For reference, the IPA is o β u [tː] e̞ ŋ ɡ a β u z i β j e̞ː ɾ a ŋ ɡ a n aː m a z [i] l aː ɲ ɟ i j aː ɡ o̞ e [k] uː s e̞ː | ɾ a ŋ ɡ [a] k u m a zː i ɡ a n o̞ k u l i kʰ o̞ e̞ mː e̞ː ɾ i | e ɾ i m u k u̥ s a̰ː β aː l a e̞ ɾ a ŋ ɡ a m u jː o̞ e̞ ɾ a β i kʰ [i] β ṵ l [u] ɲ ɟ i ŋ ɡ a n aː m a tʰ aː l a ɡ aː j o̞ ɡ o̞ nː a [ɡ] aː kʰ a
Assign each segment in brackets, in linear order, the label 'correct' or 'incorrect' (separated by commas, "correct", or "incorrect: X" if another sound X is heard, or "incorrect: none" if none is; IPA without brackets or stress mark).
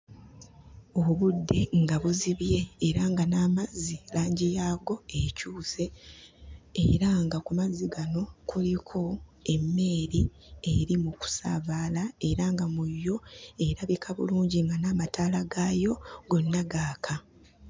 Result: incorrect: dː, correct, incorrect: c, correct, incorrect: a, incorrect: uː, correct